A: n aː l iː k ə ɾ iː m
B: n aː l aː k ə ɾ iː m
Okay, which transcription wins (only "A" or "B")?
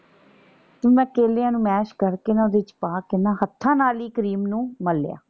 A